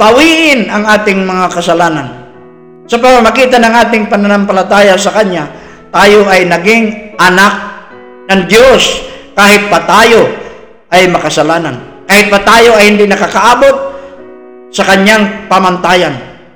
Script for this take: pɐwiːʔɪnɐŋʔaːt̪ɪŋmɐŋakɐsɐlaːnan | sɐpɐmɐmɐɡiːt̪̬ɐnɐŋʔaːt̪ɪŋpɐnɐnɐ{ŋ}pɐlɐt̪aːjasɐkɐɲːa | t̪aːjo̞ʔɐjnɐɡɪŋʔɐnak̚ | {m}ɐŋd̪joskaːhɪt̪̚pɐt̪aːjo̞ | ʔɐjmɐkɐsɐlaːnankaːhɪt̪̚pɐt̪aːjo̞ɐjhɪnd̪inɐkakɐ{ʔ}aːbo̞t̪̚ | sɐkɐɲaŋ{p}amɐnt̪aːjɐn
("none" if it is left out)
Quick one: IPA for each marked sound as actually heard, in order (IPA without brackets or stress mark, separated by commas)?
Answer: m, n, ʔ, p